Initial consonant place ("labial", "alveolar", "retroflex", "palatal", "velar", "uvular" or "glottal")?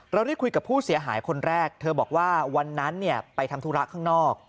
alveolar